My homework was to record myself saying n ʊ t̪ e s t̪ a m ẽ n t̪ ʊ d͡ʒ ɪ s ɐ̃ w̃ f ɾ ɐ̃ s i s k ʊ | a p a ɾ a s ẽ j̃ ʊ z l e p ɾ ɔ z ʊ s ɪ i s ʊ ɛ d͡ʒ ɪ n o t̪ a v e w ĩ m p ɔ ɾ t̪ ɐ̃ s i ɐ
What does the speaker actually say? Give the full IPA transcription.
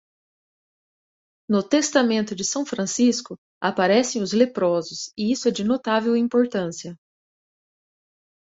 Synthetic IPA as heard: n ʊ t̪ e s t̪ a m ẽ n t̪ ʊ d͡ʒ ɪ s ɐ̃ w̃ f ɾ ɐ̃ s i s k ʊ | a p a ɾ ɛ s ẽ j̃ ʊ z l e p ɾ ɔ z ʊ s ɪ i s ʊ ɛ d͡ʒ ɪ n o t̪ a v e w ĩ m p o ɾ t̪ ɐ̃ s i ɐ